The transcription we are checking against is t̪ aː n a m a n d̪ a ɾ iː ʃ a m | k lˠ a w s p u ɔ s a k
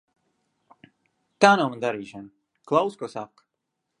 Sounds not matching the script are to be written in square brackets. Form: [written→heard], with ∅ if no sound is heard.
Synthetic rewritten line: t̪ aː n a m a n d̪ a ɾ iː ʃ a [m→n] | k lˠ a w s [p→k] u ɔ s a k